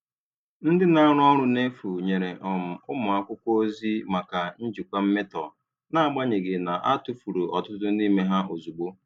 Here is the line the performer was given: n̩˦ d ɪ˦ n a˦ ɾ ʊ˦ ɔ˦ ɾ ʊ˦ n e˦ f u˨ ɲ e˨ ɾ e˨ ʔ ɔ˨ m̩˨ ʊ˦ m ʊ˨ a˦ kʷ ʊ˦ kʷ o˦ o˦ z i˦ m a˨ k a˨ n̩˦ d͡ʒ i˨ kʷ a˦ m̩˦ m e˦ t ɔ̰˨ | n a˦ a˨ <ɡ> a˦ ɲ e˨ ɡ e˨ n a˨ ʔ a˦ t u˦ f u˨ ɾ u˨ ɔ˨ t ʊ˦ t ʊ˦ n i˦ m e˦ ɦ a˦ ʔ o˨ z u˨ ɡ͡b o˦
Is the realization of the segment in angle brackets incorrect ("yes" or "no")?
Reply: yes